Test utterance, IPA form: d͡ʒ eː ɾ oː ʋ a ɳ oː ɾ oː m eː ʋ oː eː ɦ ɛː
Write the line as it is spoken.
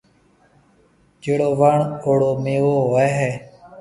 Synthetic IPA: d͡ʒ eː ɽ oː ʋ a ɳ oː ɽ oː m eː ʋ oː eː ɦ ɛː